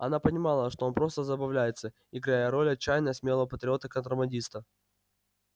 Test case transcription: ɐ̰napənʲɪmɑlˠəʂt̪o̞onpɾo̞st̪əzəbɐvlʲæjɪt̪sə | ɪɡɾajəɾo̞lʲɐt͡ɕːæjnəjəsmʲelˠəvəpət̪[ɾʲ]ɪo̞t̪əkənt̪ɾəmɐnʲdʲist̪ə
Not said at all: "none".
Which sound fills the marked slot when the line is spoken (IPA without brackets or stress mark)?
ɾʲ